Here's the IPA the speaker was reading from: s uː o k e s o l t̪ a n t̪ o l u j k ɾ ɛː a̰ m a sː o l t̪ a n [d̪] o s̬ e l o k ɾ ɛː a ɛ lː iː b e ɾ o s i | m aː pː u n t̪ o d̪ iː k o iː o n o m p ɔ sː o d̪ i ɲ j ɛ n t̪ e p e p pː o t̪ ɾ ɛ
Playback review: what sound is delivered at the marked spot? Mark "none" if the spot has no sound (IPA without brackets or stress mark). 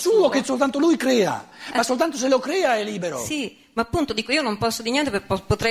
t̪